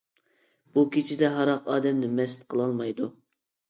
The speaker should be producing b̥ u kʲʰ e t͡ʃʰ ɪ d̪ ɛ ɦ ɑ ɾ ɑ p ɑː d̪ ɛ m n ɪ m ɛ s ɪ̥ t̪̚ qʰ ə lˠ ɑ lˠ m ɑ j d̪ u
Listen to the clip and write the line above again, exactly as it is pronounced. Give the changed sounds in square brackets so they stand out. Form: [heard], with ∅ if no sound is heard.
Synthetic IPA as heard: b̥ u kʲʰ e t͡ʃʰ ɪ d̪ ɛ ɦ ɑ ɾ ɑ [q] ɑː d̪ ɛ m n ɪ m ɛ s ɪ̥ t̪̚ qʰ ə lˠ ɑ lˠ m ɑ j d̪ u